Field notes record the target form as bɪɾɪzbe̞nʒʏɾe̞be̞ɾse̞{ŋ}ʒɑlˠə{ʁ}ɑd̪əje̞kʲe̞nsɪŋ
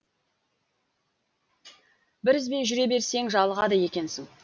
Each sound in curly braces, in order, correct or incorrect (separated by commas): correct, correct